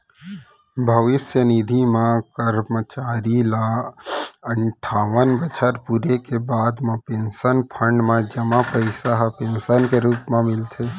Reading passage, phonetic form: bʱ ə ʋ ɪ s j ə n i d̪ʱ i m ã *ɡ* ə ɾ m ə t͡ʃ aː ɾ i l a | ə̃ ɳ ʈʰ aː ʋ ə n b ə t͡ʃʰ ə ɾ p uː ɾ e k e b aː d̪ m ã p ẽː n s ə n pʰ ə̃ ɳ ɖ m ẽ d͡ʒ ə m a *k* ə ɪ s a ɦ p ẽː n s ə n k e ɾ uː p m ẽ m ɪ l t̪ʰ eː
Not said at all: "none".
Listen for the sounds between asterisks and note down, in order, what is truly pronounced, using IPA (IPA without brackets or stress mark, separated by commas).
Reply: k, p